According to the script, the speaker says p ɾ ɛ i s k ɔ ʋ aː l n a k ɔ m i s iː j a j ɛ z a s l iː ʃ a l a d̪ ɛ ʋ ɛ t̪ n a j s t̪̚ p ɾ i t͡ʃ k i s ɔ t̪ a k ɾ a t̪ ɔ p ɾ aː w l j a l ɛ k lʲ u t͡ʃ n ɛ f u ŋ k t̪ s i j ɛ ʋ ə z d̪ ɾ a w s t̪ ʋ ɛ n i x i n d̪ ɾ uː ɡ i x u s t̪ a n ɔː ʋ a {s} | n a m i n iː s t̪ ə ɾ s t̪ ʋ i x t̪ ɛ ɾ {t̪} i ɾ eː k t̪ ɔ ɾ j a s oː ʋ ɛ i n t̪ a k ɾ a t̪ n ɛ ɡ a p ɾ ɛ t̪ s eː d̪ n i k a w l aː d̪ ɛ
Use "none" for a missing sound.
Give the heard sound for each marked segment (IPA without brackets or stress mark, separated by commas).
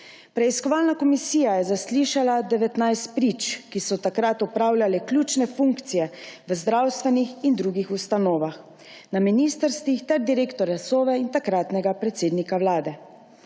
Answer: x, d̪